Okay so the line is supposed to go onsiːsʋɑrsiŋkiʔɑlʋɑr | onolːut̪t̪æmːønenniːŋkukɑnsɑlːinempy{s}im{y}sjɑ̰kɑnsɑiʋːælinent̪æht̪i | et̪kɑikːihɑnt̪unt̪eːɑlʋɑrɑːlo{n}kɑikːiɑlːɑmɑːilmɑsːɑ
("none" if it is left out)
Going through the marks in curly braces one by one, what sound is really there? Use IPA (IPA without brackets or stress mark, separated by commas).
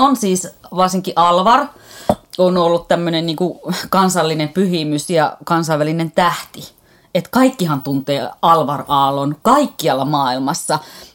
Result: h, y, n